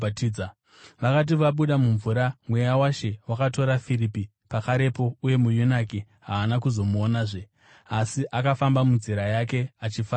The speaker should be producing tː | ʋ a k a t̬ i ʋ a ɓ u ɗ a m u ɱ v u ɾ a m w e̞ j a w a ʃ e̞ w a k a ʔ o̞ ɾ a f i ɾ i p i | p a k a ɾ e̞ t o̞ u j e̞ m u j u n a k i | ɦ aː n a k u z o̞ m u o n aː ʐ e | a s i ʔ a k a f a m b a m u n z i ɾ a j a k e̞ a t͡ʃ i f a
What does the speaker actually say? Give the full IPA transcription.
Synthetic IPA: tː | ʋ a k a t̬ i ʋ a ɓ u ɗ a m u ɱ v u ɾ a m w e̞ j a w a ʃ e̞ w a k a t o̞ ɾ a f i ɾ i p i | p a k a ɾ e̞ p o̞ u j e̞ m u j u n a k i | ɦ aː n a k u z o̞ m u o n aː ʐ e | a s i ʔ a k a f a m b a m u n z i ɾ a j a k e̞ a t͡ʃ i f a